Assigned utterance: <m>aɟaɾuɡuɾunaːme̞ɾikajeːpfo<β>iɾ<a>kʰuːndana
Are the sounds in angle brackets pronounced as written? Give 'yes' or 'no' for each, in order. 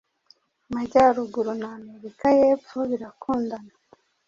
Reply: yes, yes, yes

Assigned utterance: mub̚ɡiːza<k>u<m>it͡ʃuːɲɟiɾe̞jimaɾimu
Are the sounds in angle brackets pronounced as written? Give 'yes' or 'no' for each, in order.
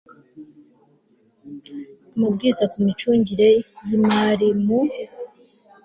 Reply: yes, yes

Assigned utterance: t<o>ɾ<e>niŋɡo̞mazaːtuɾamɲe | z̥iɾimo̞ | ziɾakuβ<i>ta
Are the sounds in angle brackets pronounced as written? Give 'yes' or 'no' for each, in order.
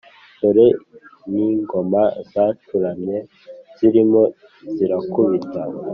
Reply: yes, yes, yes

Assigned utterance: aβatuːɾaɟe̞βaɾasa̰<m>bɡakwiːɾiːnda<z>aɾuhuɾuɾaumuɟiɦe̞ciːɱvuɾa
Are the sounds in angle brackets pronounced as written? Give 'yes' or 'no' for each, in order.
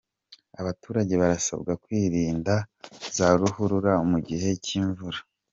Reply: no, yes

